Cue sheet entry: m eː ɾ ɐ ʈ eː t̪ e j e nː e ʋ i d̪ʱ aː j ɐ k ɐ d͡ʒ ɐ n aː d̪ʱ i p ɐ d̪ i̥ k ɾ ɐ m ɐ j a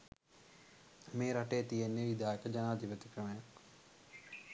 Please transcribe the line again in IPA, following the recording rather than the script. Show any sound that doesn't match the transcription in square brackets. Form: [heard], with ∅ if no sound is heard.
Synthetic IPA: m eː ɾ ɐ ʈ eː t̪ [i] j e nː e ʋ i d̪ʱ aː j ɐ k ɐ d͡ʒ ɐ n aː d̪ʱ i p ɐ [t̪] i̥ k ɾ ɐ m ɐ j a